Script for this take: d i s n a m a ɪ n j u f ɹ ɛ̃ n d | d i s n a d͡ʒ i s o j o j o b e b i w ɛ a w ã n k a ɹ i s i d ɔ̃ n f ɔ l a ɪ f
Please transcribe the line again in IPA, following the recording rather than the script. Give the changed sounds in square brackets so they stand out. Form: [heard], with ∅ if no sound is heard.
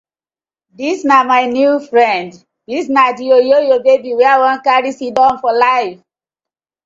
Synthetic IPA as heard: d i s n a m a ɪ n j u f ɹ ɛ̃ n d | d i s n a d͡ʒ i [∅] o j o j o b e b i w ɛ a w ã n k a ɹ i s i d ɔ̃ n f ɔ l a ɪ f